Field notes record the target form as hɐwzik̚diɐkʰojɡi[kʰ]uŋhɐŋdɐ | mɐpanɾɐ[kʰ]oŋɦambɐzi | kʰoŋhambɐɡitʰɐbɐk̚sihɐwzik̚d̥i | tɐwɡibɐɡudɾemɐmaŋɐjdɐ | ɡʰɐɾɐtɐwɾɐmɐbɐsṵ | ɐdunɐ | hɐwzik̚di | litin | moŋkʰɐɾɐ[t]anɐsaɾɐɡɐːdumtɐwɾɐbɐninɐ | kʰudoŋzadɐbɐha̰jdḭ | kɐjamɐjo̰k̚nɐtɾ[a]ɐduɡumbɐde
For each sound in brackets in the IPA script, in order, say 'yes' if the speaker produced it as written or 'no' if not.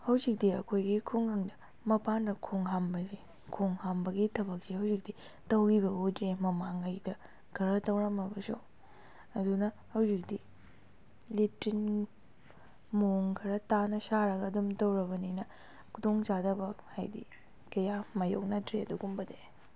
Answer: yes, yes, yes, no

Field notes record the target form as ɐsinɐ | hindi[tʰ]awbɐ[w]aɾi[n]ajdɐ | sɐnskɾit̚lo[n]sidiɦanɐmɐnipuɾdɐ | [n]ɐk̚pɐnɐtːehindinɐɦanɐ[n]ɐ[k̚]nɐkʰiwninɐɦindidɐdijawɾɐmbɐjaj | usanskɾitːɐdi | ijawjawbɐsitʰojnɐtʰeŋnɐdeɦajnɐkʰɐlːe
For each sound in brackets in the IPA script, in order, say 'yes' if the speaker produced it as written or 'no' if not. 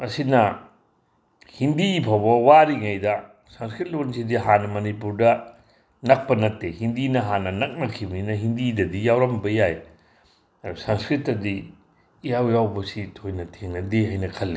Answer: no, yes, no, yes, yes, yes, yes

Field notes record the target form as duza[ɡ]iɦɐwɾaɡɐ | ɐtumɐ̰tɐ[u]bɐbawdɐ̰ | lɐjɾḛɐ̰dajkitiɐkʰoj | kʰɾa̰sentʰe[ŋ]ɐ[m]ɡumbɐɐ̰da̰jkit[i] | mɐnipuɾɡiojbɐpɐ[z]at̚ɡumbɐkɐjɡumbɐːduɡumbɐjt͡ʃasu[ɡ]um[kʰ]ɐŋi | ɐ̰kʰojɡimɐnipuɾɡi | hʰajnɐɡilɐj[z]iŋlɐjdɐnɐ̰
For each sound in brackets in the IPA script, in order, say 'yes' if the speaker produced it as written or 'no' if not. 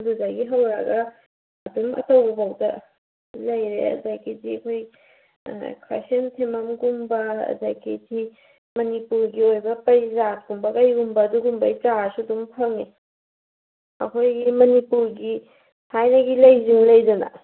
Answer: yes, no, no, yes, yes, yes, no, no, yes

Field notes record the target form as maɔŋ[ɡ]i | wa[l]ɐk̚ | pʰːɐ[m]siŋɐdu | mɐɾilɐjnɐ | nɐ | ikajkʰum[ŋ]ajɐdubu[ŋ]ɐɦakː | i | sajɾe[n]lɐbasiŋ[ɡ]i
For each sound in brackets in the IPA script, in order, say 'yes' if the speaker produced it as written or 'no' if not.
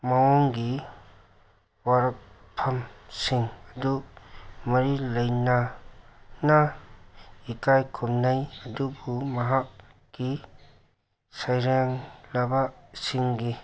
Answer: yes, no, yes, no, no, no, yes

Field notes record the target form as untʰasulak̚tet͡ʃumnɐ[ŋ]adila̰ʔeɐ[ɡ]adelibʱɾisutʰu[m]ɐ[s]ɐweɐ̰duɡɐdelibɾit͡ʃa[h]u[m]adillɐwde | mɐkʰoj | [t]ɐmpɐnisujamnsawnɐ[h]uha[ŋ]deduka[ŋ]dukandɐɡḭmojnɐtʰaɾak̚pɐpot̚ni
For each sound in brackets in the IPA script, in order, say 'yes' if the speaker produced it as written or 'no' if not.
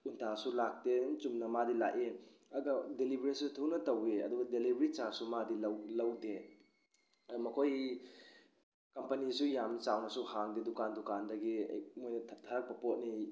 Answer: no, yes, no, no, no, yes, no, no, yes, no

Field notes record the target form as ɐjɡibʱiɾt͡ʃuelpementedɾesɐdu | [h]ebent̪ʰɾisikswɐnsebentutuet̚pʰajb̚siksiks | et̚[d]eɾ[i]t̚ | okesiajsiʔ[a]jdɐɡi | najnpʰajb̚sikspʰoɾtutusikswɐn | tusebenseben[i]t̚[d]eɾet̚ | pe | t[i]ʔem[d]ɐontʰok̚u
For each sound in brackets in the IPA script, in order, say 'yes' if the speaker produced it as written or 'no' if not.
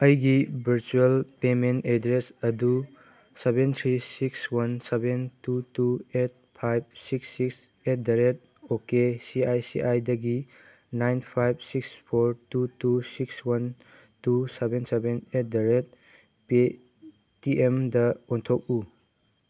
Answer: no, yes, no, yes, no, yes, yes, yes

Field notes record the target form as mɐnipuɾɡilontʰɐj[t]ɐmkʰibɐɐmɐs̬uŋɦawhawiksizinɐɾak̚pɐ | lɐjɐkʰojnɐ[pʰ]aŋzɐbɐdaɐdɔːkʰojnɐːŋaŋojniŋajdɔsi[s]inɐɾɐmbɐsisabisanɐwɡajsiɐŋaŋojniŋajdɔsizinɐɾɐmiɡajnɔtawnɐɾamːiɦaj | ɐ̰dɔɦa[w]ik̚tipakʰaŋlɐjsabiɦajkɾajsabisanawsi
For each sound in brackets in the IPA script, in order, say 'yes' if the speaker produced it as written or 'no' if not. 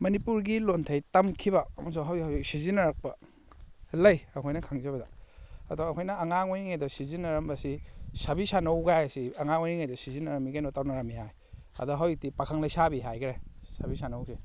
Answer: yes, no, no, yes

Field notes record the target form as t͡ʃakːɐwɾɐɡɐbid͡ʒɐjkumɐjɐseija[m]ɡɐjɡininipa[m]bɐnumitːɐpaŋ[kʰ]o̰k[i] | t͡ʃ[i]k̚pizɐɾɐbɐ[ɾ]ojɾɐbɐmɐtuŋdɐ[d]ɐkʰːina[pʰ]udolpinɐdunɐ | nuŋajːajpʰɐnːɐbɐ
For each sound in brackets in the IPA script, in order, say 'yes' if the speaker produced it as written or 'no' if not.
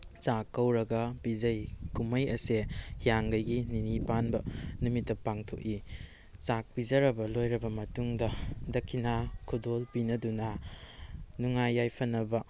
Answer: no, no, no, yes, no, no, yes, no

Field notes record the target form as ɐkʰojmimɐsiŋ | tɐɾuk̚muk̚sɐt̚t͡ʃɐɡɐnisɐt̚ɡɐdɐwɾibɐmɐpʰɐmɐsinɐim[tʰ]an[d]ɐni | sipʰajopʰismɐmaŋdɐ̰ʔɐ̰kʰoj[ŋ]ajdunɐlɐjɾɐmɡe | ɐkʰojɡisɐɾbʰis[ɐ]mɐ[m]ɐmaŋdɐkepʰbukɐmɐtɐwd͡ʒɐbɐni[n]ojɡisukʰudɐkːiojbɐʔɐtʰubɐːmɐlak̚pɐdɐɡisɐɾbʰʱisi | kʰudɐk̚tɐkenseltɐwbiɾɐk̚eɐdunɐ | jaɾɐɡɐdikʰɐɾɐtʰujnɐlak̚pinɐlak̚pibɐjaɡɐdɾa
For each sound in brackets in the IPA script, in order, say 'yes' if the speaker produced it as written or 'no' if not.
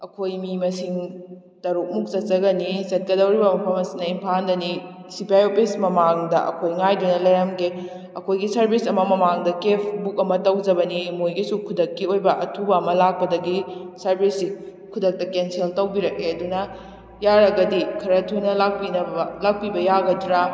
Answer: no, yes, yes, yes, yes, no

